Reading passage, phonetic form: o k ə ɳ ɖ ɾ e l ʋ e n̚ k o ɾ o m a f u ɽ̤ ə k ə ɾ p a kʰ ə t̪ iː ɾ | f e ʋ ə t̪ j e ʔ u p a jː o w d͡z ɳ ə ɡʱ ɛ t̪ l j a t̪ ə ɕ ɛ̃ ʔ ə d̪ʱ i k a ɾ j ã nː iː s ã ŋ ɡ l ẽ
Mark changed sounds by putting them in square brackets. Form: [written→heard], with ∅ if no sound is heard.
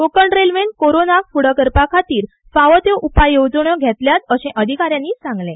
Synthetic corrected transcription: o k ə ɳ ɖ ɾ e l ʋ e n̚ k o ɾ o [m→n] a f u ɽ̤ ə k ə ɾ p a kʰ [ə→a] t̪ iː ɾ | f [e→a] ʋ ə t̪ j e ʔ u p a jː o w d͡z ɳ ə ɡʱ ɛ t̪ l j a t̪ ə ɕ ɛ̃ ʔ ə d̪ʱ i k a ɾ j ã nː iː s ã ŋ ɡ l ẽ